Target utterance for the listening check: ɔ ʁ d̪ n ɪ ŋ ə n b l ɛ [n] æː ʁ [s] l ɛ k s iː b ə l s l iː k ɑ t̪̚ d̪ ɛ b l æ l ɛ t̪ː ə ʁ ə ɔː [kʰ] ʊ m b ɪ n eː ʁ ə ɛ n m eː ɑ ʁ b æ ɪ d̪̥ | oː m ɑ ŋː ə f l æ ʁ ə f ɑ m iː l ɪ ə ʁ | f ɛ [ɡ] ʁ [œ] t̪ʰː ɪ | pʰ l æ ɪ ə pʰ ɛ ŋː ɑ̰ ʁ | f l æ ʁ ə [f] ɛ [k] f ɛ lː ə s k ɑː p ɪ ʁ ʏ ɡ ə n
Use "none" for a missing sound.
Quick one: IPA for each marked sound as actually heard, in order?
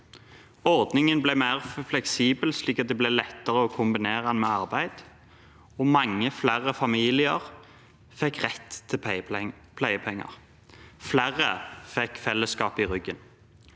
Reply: m, f, kʰ, k, ɛ, f, k

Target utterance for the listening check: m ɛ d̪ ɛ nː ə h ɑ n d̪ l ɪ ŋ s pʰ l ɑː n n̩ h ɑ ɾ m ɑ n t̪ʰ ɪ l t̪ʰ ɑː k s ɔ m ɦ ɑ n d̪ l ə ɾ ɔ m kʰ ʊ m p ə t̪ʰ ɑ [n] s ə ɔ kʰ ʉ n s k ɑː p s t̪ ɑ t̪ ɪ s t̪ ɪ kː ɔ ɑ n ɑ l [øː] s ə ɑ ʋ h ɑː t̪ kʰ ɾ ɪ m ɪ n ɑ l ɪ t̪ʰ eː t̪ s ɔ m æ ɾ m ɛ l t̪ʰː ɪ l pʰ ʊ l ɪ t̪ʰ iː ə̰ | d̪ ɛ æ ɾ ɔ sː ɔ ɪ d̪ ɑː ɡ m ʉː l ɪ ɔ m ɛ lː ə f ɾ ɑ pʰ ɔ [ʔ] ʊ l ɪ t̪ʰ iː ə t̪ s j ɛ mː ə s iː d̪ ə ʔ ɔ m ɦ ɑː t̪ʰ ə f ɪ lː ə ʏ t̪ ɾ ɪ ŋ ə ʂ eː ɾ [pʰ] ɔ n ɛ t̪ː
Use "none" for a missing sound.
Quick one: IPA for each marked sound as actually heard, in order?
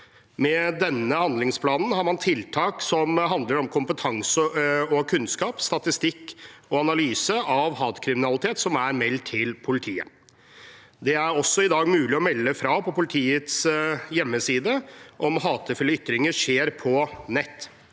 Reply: ŋ, yː, p, pʰ

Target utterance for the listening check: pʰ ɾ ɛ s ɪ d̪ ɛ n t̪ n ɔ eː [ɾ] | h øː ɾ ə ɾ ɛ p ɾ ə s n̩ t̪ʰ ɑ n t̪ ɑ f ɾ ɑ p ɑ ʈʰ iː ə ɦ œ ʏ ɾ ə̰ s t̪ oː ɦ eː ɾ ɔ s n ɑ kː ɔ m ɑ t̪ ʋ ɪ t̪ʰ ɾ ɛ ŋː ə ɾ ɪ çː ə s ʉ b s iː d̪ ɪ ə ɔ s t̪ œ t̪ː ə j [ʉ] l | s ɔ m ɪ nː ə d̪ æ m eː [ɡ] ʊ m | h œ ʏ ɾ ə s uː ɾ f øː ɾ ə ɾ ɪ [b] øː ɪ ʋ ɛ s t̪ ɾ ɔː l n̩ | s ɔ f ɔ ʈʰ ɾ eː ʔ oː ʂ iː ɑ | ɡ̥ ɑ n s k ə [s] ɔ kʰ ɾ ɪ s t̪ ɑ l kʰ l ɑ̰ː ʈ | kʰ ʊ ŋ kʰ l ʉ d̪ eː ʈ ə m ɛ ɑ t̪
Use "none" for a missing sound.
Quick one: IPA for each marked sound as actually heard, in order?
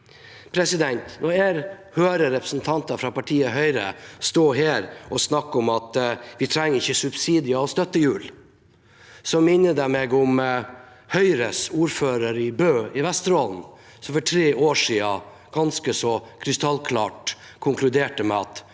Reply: ɾ, ʉː, ɡ, b, s

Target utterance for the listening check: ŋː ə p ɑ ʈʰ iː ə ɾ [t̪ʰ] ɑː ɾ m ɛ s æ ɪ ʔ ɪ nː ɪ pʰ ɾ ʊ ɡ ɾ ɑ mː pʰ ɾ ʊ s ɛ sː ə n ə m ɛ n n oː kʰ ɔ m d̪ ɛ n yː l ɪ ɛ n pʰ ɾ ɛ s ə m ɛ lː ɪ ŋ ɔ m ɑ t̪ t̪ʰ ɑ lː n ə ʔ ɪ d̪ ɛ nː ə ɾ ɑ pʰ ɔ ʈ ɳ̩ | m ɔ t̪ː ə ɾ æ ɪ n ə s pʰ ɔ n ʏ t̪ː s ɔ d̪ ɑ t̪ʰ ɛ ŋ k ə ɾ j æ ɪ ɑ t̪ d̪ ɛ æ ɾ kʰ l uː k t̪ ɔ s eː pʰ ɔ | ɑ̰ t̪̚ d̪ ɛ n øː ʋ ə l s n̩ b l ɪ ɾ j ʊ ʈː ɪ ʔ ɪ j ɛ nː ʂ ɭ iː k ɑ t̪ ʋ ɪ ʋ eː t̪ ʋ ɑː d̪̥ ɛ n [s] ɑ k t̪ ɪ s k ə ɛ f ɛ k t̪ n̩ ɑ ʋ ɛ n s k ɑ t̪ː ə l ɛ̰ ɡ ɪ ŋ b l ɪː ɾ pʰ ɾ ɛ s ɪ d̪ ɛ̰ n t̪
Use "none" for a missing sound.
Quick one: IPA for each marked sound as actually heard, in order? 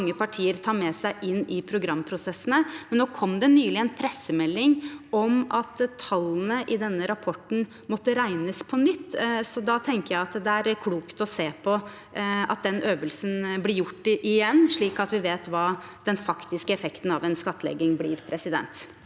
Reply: t̪ʰ, f

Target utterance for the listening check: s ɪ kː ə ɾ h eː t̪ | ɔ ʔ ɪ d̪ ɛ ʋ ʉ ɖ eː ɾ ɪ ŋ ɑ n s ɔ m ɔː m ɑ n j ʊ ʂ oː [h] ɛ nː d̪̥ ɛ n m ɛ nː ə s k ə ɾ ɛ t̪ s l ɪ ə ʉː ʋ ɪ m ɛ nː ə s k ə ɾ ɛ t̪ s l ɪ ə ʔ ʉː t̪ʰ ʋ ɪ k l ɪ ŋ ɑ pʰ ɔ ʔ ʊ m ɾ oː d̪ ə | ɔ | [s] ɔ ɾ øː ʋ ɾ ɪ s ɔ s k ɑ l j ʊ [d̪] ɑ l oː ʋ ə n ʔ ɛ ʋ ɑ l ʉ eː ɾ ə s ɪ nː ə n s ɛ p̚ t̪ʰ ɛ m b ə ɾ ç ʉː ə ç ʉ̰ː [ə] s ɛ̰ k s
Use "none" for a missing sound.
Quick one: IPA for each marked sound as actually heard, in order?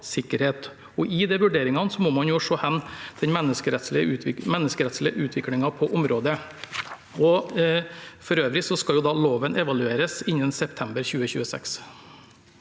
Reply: h, f, d̪, ə

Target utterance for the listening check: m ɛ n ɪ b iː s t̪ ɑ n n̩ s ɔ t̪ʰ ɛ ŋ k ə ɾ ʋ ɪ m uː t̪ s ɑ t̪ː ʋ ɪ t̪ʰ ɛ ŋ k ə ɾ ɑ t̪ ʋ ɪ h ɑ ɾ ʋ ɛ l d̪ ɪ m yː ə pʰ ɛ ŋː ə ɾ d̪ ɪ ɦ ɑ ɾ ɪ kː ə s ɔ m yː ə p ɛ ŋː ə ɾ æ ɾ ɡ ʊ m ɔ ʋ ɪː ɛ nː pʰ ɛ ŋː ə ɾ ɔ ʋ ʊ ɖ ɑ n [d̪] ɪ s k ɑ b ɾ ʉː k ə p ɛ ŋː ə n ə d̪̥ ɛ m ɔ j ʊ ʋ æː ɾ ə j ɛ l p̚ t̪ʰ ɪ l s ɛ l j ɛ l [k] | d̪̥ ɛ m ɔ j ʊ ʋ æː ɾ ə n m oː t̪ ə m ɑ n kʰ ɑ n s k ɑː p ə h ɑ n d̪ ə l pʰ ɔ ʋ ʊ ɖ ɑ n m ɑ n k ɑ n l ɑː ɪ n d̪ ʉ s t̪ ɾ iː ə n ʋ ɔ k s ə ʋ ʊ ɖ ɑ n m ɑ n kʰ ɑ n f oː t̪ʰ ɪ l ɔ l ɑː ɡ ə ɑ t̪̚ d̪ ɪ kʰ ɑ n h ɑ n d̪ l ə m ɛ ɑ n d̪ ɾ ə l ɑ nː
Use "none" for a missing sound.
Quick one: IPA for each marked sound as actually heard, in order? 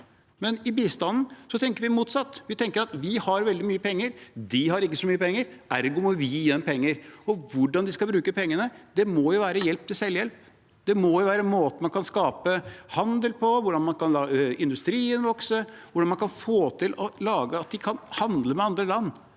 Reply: d̪, p

